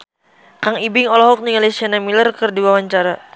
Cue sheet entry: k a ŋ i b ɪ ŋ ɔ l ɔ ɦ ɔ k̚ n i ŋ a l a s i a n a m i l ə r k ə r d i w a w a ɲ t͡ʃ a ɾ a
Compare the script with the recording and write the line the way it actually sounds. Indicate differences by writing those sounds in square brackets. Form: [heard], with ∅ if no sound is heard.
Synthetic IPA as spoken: k a ŋ i b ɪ ŋ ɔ l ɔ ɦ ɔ k̚ n i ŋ a l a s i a n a m i l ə r k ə r d i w a w a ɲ t͡ʃ a ɾ a

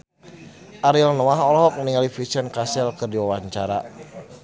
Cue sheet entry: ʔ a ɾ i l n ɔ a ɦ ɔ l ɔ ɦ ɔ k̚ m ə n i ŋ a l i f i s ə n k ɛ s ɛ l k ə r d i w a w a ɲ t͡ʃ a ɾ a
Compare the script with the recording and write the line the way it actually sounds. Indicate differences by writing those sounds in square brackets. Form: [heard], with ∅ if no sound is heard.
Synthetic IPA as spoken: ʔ a ɾ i l n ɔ a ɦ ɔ l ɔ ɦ ɔ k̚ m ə n i ŋ a l i f i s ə n k [a] s ɛ l k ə r d i w a w a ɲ t͡ʃ a ɾ a

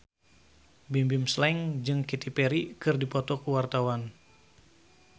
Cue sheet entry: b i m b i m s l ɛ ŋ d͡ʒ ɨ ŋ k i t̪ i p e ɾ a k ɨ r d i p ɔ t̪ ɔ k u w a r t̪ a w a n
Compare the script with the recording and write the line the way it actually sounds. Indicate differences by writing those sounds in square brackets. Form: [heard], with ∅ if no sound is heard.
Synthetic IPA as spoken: b i m b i m s l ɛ ŋ d͡ʒ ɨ ŋ k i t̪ i p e ɾ [i] k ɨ r d i p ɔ t̪ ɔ k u w a r t̪ a w a n

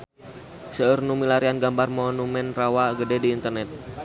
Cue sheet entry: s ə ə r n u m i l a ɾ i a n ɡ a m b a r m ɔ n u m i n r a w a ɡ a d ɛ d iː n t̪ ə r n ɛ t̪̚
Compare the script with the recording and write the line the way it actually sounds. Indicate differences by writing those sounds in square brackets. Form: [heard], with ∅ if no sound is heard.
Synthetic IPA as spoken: s ə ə r n u m i l a ɾ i a n ɡ a m b a r m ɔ n u m [ɛ] n r a w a ɡ [ə] d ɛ d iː n t̪ ə r n ɛ t̪̚

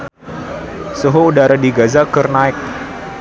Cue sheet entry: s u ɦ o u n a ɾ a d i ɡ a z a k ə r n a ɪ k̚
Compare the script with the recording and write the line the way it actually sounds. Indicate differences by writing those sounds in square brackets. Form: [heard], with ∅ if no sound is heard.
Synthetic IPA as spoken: s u ɦ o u [d] a ɾ a d i ɡ a z a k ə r n a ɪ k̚

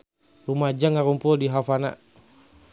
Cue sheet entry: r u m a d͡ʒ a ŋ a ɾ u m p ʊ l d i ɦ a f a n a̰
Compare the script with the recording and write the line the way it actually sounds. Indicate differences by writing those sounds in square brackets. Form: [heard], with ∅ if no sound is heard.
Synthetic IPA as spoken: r u m a d͡ʒ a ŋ a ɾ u m p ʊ l d i ɦ a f a n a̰

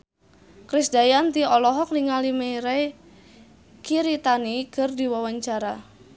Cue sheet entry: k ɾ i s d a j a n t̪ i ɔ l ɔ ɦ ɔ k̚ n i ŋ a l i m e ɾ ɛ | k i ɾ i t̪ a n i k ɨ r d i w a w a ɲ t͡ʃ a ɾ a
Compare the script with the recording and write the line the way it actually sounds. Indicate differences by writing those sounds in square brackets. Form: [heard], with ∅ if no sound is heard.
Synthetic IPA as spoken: k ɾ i s d a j a n t̪ i ɔ l ɔ ɦ ɔ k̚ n i ŋ a l i m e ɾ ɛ | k i ɾ i t̪ a n i k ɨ r d i w a w a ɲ t͡ʃ a ɾ a

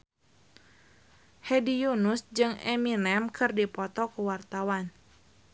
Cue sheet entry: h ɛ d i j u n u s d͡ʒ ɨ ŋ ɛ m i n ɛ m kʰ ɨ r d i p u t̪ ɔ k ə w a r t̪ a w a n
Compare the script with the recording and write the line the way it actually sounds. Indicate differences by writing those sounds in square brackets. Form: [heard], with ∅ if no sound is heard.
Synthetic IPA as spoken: h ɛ d i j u n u s d͡ʒ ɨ ŋ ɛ m i n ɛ m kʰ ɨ r d i p [ɔ] t̪ ɔ k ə w a r t̪ a w a n

